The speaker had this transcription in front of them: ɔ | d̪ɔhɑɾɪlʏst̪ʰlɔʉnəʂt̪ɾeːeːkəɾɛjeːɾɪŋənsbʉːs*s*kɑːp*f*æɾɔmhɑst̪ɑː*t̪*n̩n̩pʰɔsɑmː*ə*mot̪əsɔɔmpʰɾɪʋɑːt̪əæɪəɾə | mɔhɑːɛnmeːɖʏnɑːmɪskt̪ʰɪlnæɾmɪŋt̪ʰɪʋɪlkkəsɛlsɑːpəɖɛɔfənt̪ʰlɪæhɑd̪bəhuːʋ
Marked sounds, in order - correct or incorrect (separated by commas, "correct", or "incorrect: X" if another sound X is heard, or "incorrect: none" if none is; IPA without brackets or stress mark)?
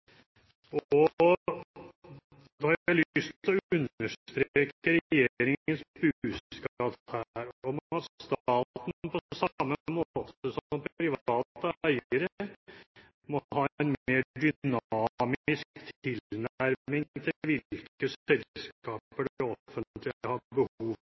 correct, incorrect: h, correct, correct